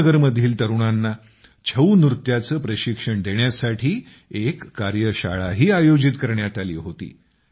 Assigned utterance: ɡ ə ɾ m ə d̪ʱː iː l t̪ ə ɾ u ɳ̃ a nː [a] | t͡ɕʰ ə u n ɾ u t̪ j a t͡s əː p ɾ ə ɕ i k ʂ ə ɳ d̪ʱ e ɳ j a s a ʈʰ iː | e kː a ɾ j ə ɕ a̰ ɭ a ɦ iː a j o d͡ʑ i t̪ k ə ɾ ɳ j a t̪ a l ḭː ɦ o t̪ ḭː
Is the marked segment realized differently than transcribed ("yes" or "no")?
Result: no